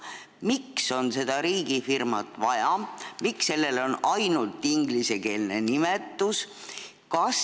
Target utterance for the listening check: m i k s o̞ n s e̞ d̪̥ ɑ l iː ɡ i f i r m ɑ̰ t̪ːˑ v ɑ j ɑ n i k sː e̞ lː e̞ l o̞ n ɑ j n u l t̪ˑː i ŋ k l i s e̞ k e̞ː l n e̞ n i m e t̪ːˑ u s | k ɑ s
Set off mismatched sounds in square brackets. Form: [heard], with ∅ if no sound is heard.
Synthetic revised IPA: m i k s o̞ n s e̞ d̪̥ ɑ [ɾ] iː ɡ i f i r m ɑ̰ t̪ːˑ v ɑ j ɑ [m] i k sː e̞ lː e̞ l o̞ n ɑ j n u l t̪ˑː i ŋ [ɡ] l i s e̞ k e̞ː l n e̞ n i m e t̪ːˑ u s | k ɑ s